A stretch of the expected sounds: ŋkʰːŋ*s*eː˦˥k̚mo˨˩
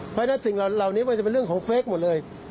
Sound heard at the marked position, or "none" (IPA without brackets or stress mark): f